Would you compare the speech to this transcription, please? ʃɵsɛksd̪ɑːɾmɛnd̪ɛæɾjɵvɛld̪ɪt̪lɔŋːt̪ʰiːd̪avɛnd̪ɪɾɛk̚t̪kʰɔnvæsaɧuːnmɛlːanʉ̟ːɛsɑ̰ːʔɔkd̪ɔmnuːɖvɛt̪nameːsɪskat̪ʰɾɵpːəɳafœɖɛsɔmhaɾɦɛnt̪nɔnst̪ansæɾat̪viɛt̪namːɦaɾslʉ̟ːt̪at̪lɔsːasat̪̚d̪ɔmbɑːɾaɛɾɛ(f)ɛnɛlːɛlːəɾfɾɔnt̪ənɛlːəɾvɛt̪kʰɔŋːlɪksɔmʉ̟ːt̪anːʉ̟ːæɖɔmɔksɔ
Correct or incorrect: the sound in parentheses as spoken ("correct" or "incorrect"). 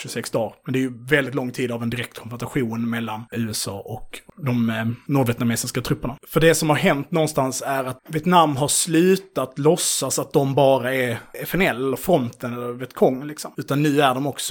correct